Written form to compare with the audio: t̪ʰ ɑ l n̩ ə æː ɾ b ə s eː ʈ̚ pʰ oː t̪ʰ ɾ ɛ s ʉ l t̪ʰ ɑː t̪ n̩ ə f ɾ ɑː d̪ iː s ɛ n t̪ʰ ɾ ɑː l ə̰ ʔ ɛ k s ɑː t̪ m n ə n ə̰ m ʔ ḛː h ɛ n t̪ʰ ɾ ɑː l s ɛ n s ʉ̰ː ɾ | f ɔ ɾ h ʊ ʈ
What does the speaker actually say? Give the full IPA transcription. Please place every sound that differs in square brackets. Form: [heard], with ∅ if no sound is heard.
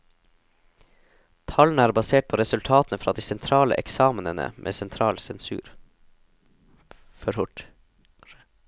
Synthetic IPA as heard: t̪ʰ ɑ l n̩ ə æː ɾ b [ɑ] s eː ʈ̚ pʰ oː [∅] ɾ ɛ s ʉ l t̪ʰ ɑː t̪ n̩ ə f ɾ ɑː d̪ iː s ɛ n t̪ʰ ɾ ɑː l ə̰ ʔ ɛ k s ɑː [∅] m n ə n ə̰ m ʔ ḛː [s] ɛ n t̪ʰ ɾ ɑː l s ɛ n s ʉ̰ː ɾ | f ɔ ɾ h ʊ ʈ